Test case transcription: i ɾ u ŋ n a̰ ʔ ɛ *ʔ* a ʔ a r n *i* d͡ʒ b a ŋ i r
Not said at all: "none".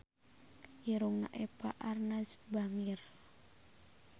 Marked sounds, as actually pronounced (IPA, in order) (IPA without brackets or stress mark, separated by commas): p, a